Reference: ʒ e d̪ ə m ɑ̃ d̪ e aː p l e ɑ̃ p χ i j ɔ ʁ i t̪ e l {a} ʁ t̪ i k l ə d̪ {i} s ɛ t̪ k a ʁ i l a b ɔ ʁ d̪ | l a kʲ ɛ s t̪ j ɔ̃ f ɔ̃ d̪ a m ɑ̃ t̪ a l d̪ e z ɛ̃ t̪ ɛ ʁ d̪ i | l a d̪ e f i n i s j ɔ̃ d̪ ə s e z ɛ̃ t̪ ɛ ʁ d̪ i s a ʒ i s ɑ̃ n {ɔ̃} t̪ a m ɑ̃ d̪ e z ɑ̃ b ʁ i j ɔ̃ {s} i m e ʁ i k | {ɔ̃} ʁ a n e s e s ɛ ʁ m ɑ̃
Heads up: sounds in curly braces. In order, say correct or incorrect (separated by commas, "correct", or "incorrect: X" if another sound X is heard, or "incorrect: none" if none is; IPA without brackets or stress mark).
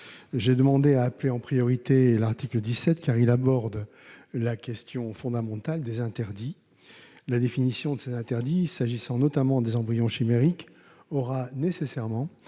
correct, correct, incorrect: ɔ, incorrect: ʃ, incorrect: ɔ